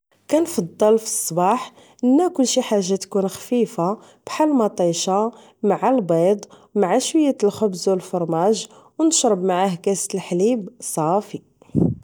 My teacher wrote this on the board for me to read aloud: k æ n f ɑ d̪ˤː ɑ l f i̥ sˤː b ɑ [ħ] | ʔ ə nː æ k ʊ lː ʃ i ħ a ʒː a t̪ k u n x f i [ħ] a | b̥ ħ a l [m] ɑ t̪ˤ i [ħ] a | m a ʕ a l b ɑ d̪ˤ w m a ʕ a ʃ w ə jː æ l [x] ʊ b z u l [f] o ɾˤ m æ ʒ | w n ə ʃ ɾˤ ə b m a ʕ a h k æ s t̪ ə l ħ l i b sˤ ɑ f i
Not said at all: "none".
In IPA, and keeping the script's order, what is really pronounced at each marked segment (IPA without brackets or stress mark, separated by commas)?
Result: ħ, f, m, ʃ, x, f